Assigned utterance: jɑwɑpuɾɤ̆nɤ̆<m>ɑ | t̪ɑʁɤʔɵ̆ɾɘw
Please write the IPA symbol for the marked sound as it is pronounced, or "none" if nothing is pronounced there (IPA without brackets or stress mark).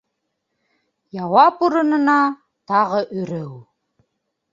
n